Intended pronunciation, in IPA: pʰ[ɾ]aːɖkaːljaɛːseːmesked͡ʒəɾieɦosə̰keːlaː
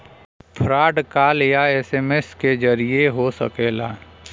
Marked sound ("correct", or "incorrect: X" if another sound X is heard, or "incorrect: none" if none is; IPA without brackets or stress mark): correct